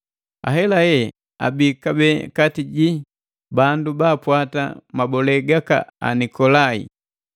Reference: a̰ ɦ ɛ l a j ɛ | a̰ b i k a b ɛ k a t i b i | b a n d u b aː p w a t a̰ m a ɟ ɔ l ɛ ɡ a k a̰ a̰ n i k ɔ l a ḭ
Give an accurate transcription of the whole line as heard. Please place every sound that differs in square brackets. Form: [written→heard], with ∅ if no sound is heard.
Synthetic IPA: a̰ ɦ ɛ l a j ɛ | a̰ b i k a b ɛ k a t i [b→ɟ] i | b a n d u b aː p w a t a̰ m a [ɟ→b] ɔ l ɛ ɡ a k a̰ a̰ n i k ɔ l a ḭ